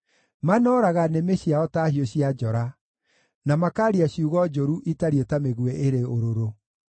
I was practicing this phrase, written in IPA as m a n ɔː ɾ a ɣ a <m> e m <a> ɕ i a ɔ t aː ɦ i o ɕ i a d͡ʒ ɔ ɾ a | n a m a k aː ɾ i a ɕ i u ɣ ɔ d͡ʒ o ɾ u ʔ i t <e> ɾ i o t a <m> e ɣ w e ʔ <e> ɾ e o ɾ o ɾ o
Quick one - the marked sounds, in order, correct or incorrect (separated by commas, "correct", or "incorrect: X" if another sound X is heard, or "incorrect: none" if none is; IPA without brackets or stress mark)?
incorrect: n, incorrect: e, incorrect: a, correct, correct